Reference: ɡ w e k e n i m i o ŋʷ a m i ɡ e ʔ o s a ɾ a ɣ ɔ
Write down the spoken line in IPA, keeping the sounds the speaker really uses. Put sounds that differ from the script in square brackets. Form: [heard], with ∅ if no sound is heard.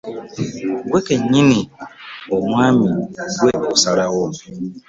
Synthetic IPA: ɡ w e k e [ɲ] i [n] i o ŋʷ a m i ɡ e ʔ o s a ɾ a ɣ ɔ

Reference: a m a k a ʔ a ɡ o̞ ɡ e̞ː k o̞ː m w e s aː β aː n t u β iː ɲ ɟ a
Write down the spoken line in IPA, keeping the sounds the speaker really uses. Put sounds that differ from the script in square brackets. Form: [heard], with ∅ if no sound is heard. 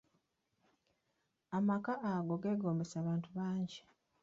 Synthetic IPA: a m a k a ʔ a ɡ o̞ ɡ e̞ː [ɡ] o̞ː m [b] e s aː β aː n t u β [aː] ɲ ɟ [i]

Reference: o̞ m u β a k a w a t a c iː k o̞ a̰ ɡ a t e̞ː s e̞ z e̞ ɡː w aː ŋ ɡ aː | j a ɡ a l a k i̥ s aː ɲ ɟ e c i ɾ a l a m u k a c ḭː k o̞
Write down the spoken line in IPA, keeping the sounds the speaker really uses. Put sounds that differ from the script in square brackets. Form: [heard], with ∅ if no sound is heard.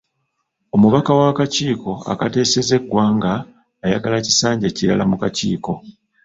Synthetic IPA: o̞ m u β a k a w a [k] a c iː k o̞ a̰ [k] a t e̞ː s e̞ z e̞ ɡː w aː ŋ ɡ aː | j a ɡ a l a [c] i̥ s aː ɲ ɟ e c i ɾ a l a m u k a c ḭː k o̞

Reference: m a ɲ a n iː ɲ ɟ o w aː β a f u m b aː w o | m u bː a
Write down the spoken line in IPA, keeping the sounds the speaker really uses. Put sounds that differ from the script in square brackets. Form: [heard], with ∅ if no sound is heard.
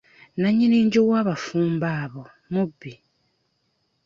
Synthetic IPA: [n] a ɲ [i] n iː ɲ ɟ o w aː β a f [uː] m b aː [β] o | m u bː [i]

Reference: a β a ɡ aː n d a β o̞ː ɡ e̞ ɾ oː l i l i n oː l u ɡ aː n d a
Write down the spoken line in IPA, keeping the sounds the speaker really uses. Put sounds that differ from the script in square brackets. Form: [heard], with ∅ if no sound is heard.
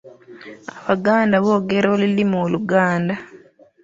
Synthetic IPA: a β a ɡ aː n d a β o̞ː ɡ e̞ ɾ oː l i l i [m] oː l u ɡ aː n d a

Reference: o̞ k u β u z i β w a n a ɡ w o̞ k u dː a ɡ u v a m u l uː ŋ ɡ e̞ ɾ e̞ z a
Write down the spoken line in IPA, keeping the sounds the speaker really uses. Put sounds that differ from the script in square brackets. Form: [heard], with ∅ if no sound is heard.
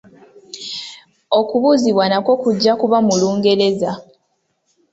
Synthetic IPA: o̞ k u β u z i β w a n a [k] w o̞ k u [ɟː] a [k] u [β] a m u l uː ŋ ɡ e̞ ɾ e̞ z a

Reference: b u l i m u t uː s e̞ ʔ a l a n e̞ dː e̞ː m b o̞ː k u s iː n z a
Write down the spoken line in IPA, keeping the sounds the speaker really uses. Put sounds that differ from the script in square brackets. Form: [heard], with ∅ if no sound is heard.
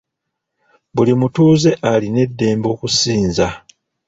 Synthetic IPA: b u l i m u t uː [z] e̞ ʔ a l [i] n e̞ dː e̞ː m b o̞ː k u s iː n z a

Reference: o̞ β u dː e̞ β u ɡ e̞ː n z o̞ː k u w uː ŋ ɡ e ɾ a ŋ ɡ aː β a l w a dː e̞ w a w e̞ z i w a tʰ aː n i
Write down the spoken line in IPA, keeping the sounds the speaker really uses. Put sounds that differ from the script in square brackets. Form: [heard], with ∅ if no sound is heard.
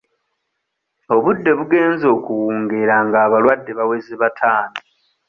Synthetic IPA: o̞ β u dː e̞ β u ɡ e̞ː n z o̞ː k u w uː ŋ ɡ e ɾ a ŋ ɡ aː β a l w a dː e̞ [β] a w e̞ z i [β] a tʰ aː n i

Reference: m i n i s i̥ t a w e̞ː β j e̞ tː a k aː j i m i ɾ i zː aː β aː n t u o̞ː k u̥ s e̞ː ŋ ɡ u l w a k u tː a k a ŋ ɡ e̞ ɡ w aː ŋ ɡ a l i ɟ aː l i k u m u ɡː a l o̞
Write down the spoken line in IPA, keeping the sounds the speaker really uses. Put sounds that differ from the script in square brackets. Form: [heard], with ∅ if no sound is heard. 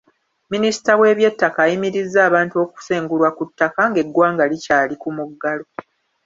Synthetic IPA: m i n i s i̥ t a w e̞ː β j e̞ tː a k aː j i m i ɾ i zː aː β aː n t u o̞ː k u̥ s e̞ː ŋ ɡ u l w a k u tː a k a ŋ ɡ e̞ ɡ w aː ŋ ɡ a l i [c] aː l i k u m u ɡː a l o̞

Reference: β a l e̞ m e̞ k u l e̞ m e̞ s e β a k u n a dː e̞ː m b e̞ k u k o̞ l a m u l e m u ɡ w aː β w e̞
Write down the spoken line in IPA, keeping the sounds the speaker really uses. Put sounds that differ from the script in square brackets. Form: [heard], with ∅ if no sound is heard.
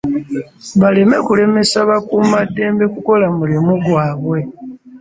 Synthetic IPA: β a l e̞ m e̞ k u l e̞ m e̞ s [a] β a k u [m] a dː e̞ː m b e̞ k u k o̞ l a m u l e m u ɡ w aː β w e̞

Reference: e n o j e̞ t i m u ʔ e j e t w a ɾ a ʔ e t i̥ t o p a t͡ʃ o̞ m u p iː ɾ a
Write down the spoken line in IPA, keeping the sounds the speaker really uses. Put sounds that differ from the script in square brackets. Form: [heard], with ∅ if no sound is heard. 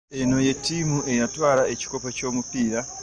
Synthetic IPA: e n o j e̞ t i m u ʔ e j [a] t w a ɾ a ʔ e [t͡ʃ] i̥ [k] o p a t͡ʃ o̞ m u p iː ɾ a

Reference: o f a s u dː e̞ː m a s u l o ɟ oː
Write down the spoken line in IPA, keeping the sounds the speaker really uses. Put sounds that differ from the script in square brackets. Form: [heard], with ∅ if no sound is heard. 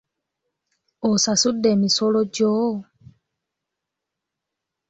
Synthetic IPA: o [s] a s u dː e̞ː m [i] s [o] l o ɟ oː

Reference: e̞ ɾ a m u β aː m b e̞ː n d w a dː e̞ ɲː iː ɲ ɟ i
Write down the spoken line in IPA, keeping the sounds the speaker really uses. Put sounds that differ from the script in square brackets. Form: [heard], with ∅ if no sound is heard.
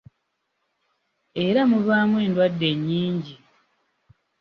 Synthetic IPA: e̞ ɾ a m u β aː m [w] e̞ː n d w a dː e̞ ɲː iː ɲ ɟ i

